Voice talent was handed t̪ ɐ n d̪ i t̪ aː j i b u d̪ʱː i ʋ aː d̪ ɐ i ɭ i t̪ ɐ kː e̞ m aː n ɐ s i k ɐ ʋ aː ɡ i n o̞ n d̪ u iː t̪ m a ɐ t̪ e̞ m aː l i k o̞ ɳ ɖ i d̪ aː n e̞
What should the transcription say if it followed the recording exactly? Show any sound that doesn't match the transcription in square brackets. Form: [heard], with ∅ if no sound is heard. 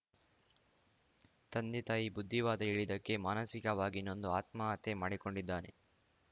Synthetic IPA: t̪ ɐ n d̪ i t̪ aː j i b u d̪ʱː i ʋ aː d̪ ɐ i ɭ i [d̪] ɐ kː e̞ m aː n ɐ s i k ɐ ʋ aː ɡ i n o̞ n d̪ u [aː] t̪ m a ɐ t̪ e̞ m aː [ɽ] i k o̞ ɳ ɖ i [d̪ː] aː n e̞